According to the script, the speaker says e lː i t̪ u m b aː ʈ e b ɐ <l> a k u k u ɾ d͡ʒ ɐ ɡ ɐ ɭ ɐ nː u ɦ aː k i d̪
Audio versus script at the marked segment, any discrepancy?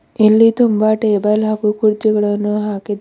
no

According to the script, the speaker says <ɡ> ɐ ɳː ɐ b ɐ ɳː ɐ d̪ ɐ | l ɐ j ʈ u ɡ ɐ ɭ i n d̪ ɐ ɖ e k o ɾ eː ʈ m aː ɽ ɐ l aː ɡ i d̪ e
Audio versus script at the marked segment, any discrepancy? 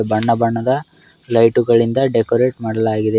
yes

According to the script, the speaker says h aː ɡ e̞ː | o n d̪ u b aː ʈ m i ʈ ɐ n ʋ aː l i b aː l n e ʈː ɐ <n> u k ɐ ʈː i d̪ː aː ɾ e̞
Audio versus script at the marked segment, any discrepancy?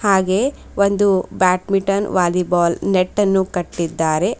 yes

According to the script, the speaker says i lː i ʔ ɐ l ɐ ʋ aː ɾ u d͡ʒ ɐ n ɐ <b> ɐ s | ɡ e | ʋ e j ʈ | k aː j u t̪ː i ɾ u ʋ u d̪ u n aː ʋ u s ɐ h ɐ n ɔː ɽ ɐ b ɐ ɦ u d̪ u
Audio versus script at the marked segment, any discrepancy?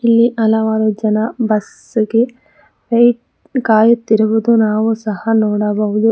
no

